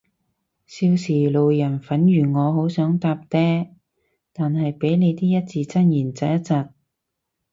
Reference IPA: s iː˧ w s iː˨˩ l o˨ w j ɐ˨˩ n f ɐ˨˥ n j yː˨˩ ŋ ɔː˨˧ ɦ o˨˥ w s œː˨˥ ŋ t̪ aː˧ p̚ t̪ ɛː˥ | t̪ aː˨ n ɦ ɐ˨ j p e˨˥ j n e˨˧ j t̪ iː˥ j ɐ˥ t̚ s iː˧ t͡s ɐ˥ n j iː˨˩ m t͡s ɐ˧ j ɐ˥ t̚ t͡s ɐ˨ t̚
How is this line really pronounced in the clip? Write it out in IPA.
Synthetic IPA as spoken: s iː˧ w s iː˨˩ l o˨ w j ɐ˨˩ n f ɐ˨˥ n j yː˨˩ ŋ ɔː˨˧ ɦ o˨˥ w s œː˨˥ ŋ t̪ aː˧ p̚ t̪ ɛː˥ | t̪ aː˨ n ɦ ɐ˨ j p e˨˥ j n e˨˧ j t̪ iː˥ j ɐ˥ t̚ t͡s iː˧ t͡s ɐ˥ n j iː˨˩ n t͡s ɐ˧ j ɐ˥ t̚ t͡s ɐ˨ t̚